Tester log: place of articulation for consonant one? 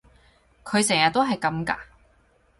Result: velar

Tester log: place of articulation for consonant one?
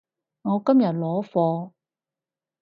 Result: velar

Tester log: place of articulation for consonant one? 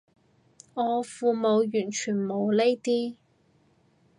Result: labial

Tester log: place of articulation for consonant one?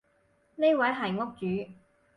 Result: alveolar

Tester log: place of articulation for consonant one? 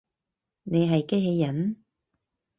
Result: alveolar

